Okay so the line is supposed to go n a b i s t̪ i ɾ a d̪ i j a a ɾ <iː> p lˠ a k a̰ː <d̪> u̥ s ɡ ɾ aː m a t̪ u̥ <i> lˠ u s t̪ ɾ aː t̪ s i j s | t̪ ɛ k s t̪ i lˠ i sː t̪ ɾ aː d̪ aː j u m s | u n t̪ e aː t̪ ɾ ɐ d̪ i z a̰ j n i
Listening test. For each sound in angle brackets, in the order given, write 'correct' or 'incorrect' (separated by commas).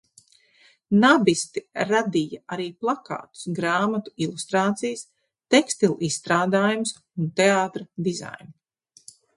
correct, incorrect, correct